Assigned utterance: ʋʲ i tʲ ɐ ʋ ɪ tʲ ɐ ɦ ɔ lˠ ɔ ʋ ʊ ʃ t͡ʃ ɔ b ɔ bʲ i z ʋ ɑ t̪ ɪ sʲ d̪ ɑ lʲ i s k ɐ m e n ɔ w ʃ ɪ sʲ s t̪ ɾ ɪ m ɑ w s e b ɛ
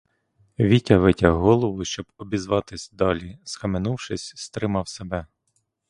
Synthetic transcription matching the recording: ʋʲ i tʲ ɐ ʋ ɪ tʲ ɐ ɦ ɔ lˠ ɔ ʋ ʊ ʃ t͡ʃ ɔ b ɔ bʲ i z ʋ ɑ t̪ ɪ sʲ d̪ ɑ lʲ i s k ɐ m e n u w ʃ ɪ sʲ s t̪ ɾ ɪ m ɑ w s e b ɛ